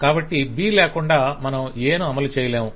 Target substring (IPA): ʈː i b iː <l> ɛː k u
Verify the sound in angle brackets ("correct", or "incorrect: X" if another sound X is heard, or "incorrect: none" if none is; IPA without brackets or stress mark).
correct